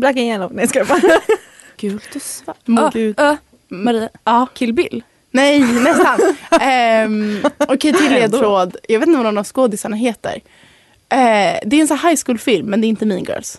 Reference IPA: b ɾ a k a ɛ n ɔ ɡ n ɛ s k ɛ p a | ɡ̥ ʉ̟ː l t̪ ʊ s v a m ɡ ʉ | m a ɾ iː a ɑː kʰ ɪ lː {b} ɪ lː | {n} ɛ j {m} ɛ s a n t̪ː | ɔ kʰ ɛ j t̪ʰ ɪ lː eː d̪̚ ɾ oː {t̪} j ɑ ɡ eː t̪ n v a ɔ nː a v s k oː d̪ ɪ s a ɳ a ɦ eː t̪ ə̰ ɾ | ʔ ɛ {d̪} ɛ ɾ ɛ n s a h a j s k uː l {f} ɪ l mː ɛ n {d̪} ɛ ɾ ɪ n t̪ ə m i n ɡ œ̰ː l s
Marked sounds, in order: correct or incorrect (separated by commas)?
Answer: correct, correct, incorrect, incorrect, correct, correct, correct